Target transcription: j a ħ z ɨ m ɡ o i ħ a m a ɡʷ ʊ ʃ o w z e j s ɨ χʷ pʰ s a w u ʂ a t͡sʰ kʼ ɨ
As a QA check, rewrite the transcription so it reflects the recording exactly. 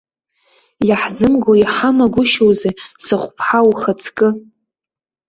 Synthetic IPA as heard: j a ħ z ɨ m ɡ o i ħ a m a ɡʷ ʊ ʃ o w z e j s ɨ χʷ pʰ ħ a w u χ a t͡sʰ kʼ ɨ